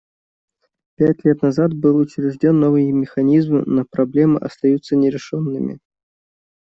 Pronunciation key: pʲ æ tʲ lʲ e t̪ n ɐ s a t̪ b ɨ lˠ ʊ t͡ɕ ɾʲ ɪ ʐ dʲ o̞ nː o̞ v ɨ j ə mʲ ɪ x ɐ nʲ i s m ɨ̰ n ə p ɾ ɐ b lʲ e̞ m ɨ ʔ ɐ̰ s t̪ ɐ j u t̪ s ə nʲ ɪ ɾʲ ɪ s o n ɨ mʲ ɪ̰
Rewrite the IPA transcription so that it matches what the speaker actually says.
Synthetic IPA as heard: pʲ æ tʲ lʲ e t̪ n ɐ z a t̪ b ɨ lˠ ʊ t͡ɕ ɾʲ ɪ ʐ dʲ o̞ nː o̞ v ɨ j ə mʲ ɪ x ɐ nʲ i z m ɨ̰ n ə p ɾ ɐ b lʲ e̞ m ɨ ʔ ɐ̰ s t̪ ɐ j u t̪ s ə nʲ ɪ ɾʲ ɪ ʂ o nː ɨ mʲ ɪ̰